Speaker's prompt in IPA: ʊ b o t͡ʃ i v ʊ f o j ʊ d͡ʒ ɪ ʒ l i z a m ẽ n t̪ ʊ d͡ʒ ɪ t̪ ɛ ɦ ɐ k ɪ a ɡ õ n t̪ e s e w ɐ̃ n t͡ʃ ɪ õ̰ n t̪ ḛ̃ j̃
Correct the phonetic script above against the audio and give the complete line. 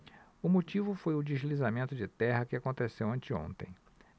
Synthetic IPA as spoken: ʊ m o t͡ʃ i v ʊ f o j ʊ d͡ʒ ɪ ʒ l i z a m ẽ n t̪ ʊ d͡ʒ ɪ t̪ ɛ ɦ ɐ k ɪ a k õ n t̪ e s e w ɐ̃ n t͡ʃ ɪ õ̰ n t̪ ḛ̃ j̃